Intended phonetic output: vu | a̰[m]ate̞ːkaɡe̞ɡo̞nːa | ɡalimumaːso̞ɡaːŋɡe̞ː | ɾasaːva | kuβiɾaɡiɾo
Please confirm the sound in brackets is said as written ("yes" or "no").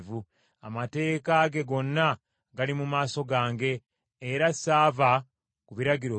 yes